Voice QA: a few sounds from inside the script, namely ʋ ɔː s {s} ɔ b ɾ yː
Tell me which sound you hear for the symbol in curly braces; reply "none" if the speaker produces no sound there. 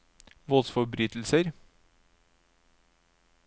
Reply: f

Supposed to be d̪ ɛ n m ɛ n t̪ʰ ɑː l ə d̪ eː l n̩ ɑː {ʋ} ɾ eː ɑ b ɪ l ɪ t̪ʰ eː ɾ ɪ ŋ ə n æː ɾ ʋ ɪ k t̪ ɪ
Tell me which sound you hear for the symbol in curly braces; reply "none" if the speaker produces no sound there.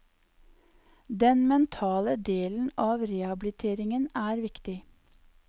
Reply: ʋ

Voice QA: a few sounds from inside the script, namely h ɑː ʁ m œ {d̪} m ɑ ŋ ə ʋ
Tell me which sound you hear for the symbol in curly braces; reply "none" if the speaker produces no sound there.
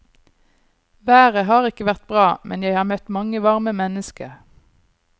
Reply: t̪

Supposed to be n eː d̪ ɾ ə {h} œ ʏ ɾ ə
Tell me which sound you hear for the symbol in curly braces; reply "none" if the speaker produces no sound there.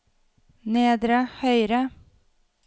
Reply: h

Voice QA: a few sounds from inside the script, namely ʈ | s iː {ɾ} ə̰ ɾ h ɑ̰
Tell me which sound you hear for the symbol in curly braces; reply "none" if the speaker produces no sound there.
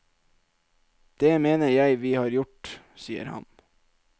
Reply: none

